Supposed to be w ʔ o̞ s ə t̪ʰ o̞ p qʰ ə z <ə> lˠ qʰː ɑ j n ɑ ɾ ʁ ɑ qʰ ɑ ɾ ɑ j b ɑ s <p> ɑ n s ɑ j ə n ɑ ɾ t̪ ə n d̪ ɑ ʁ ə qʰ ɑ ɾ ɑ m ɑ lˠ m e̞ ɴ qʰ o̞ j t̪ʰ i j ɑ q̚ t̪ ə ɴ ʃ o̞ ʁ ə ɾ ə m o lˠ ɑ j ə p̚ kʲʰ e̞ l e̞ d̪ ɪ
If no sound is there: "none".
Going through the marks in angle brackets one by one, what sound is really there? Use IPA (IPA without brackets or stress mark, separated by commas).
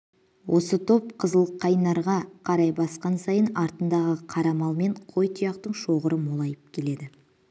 ə, q